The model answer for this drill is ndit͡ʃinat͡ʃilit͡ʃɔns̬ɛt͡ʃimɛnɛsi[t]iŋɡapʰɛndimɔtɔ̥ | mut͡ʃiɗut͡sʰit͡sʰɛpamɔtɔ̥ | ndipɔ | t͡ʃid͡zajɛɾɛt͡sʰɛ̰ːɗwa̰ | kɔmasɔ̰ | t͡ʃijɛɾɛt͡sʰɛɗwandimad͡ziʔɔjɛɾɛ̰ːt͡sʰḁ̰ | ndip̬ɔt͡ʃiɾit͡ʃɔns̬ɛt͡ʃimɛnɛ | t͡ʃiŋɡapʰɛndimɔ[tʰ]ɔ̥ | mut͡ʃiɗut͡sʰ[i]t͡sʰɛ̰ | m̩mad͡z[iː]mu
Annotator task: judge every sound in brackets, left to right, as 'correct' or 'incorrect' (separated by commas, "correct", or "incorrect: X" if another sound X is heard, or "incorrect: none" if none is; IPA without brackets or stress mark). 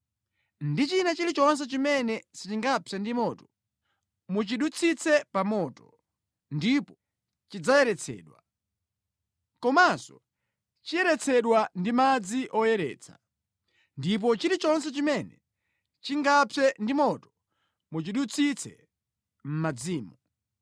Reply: incorrect: t͡ʃ, incorrect: t, correct, correct